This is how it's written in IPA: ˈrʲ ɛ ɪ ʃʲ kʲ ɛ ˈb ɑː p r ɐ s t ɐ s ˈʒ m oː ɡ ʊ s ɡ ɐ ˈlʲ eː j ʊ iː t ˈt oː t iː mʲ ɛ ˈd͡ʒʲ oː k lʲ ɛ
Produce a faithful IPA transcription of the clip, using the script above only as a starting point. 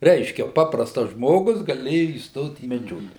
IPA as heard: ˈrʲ ɛ ɪ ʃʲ kʲ ɛ ˈp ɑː p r ɐ s t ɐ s ˈʒ m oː ɡ ʊ s ɡ ɐ ˈlʲ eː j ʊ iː s ˈt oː t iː mʲ ɛ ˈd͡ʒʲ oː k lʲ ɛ